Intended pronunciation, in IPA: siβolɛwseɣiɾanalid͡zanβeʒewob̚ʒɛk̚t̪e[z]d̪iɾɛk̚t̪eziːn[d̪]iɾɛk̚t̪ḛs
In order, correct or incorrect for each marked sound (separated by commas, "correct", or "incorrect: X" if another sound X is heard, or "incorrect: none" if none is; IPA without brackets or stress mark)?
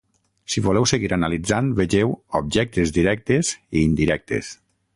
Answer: correct, correct